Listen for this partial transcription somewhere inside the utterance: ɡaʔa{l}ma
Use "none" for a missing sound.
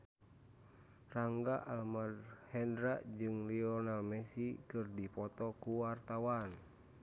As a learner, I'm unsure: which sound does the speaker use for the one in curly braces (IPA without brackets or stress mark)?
l